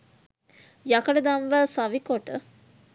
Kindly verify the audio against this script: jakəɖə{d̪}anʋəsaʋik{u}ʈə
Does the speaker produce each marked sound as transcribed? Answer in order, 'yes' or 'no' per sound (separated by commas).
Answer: yes, no